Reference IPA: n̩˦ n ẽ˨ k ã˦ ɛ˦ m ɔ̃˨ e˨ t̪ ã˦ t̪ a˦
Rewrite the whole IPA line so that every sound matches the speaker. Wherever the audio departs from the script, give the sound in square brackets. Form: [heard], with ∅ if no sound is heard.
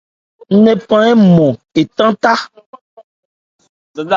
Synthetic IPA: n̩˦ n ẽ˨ [p] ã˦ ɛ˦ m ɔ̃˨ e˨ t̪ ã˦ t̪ a˦